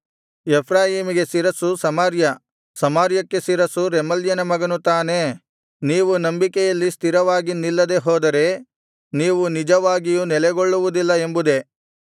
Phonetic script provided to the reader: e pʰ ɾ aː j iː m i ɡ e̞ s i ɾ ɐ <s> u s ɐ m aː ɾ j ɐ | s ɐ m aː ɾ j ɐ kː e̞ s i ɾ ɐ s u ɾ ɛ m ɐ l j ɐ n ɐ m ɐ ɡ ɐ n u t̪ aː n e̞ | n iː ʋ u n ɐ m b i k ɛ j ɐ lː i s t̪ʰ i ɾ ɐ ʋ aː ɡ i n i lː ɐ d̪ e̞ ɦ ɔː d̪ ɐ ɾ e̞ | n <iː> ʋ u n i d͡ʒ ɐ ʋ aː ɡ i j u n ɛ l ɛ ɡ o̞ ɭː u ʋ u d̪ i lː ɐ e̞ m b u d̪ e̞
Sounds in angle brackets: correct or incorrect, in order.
correct, correct

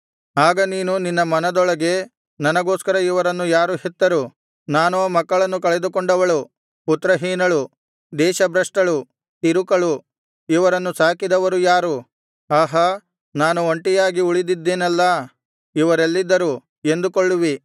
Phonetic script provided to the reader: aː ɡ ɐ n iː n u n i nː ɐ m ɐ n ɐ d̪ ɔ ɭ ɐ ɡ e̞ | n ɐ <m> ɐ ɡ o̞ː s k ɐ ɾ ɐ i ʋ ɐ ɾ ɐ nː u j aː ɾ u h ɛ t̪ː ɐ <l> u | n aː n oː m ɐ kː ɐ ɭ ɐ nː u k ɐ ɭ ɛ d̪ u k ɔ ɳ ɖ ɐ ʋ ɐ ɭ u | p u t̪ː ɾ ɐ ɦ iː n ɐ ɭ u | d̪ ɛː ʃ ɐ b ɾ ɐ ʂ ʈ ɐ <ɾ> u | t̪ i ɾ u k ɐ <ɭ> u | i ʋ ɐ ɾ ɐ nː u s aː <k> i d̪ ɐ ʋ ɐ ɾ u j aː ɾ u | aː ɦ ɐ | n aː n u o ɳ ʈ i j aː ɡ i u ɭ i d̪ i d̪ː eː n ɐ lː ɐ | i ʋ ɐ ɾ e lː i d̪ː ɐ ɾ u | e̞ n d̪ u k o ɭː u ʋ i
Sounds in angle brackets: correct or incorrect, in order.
incorrect, incorrect, incorrect, correct, correct

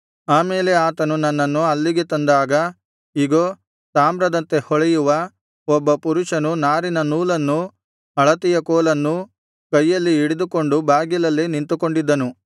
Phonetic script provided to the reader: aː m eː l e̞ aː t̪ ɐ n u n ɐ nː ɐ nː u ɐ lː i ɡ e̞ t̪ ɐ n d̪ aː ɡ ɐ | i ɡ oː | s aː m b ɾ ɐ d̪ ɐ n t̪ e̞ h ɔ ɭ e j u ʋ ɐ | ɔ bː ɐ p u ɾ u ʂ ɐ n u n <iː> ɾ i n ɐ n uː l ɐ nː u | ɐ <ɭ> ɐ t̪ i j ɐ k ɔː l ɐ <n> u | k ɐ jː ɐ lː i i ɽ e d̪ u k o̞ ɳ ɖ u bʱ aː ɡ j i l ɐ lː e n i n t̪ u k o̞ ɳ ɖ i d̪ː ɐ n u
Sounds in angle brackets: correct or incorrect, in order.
incorrect, correct, incorrect

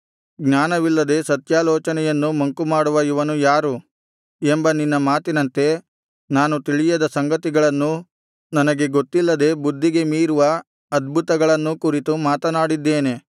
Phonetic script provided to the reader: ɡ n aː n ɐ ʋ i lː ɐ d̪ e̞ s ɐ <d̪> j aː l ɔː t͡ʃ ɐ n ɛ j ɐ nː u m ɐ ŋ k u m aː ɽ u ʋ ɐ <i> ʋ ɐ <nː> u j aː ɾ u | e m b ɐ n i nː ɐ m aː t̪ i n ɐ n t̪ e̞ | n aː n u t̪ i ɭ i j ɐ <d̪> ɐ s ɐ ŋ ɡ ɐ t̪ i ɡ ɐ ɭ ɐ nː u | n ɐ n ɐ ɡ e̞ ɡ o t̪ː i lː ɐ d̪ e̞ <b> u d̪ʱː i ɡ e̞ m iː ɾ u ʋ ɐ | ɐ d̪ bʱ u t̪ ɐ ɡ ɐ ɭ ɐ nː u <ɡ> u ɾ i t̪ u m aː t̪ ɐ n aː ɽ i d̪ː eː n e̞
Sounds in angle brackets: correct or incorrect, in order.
incorrect, correct, incorrect, correct, correct, incorrect

